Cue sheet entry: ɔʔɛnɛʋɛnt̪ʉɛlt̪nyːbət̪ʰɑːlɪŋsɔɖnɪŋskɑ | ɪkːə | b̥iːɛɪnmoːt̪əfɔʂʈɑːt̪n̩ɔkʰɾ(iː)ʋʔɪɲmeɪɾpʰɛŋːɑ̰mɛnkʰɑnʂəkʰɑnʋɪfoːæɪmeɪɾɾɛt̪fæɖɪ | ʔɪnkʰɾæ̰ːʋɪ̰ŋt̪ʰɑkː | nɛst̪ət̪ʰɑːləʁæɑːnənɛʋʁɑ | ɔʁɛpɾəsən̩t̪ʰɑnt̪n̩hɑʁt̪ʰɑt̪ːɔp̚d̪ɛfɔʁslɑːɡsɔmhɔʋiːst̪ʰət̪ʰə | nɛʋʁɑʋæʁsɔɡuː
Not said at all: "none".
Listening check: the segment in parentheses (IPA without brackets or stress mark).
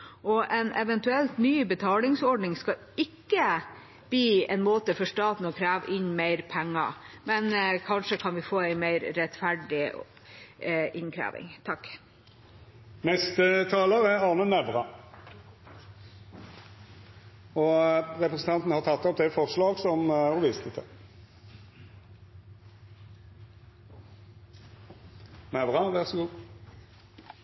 æː